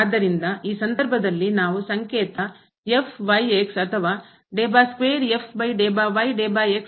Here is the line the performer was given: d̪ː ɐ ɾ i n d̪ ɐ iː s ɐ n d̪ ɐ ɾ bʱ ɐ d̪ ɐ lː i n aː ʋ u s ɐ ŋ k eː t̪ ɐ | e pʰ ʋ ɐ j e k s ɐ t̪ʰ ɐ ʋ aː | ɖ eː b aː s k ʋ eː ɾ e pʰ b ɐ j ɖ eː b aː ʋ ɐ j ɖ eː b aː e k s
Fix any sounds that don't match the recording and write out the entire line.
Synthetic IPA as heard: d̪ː ɐ ɾ i n d̪ ɐ iː s ɐ n d̪ ɐ ɾ bʱ ɐ d̪ ɐ lː i n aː ʋ u s ɐ ŋ k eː t̪ ɐ | e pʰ ʋ ɐ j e k s ɐ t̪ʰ ɐ ʋ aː | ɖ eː b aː s k ʋ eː ɾ e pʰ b ɐ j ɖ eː b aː ʋ ɐ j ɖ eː b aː e k s